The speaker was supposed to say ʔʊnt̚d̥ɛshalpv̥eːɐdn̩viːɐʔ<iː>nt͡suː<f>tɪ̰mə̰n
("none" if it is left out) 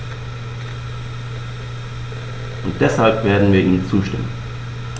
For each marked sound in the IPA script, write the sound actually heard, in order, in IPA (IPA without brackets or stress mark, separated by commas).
iː, ʃ